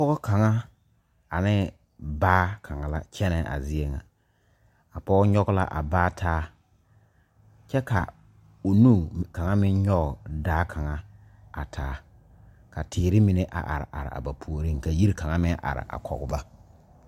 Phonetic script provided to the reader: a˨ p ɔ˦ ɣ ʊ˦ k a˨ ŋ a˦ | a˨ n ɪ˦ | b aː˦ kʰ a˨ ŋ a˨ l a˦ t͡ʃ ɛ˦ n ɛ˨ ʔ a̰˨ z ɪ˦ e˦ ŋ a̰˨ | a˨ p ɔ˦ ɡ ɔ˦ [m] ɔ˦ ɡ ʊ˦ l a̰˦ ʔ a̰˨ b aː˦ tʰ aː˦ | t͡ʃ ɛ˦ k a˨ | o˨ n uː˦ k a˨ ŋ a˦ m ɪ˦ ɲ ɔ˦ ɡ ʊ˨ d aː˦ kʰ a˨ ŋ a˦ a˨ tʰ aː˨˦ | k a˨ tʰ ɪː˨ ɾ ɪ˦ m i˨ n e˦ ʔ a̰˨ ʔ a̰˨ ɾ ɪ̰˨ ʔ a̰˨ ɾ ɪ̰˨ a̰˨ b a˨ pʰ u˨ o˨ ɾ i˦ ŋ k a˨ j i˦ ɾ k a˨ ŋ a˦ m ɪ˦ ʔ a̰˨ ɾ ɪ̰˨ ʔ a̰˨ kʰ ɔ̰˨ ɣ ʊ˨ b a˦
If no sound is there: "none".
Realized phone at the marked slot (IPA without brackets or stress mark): ɲ